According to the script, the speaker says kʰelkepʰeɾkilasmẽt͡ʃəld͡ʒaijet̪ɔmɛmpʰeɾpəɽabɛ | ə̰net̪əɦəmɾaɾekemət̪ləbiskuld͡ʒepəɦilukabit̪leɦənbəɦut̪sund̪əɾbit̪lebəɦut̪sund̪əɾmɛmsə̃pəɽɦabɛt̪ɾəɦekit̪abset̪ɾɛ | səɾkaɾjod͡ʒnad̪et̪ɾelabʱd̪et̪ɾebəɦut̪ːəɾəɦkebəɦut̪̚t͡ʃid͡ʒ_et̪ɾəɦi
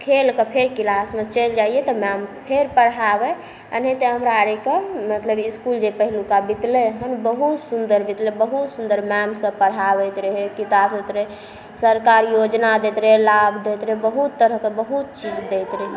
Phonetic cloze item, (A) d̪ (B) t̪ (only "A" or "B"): A